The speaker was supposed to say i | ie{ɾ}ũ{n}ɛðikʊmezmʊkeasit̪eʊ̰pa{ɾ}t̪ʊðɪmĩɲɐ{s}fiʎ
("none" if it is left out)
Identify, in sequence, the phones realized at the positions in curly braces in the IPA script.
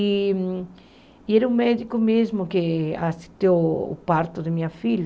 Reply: ɾ, m, ɾ, none

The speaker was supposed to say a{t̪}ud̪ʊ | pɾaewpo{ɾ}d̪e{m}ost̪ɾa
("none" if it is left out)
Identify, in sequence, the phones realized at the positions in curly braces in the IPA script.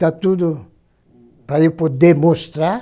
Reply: t̪, none, m

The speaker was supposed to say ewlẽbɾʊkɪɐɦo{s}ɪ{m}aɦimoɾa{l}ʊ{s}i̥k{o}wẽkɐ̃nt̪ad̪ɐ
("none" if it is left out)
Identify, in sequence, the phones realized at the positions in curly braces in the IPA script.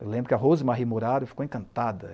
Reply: z, m, ɾ, f, o

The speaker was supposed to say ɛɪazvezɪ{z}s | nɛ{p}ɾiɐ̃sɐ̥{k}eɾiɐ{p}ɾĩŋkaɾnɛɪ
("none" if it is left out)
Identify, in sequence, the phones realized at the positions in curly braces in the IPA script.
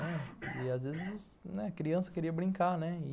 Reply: z, k, k, b

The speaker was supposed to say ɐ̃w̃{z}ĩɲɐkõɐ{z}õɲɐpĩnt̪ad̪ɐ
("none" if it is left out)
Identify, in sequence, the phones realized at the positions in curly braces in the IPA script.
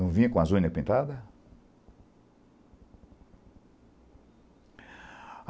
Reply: v, z

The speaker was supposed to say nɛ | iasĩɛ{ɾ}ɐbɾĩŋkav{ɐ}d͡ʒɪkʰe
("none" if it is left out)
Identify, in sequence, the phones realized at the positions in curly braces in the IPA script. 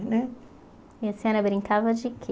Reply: ɾ, ɐ

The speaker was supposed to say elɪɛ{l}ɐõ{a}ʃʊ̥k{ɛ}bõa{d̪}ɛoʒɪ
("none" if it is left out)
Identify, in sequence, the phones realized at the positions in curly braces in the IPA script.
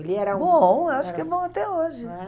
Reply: ɾ, a, ɛ, t̪

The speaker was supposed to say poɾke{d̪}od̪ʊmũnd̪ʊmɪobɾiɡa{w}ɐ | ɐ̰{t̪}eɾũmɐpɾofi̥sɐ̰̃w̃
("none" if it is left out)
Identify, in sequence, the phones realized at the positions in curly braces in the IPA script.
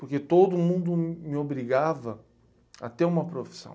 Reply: t̪, v, t̪

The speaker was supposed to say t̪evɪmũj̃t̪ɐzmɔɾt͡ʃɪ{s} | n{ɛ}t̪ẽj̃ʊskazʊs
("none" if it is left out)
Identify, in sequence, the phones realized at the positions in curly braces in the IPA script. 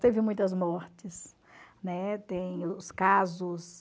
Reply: s, ɛ

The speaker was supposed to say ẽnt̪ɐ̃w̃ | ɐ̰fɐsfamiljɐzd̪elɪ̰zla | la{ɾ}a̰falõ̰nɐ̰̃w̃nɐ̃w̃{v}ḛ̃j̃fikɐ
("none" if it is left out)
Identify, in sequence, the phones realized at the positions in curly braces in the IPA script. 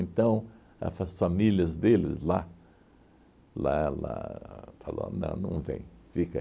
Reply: l, v

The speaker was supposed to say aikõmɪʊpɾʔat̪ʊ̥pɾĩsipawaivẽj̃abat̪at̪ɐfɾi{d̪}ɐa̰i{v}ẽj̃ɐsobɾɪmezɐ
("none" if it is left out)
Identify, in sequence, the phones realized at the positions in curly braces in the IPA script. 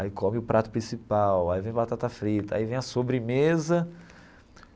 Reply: t̪, v

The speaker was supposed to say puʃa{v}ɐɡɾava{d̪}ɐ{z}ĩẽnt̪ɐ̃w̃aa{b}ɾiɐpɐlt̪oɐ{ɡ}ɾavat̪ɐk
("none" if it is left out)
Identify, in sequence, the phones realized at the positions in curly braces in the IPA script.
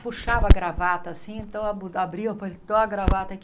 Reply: v, t̪, s, b, ɡ

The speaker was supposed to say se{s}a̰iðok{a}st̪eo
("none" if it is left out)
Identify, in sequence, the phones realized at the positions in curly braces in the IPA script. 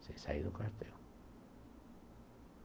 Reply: s, a

